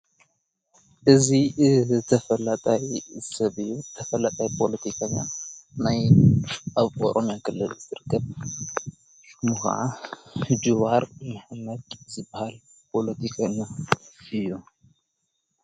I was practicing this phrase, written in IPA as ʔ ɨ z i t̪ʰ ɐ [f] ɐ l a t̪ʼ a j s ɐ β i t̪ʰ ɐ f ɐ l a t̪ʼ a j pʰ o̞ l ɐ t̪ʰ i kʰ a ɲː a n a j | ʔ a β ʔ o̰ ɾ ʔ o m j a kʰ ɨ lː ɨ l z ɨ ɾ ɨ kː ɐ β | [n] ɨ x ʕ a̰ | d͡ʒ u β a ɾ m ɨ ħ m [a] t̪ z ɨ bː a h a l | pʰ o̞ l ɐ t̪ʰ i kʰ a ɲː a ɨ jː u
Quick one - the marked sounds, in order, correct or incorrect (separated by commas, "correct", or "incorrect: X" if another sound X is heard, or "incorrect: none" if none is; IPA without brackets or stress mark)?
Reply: correct, incorrect: m, incorrect: ɐ